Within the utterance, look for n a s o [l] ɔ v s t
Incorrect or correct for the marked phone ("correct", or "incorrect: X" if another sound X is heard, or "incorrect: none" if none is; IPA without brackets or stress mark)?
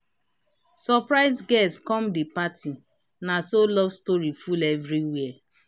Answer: correct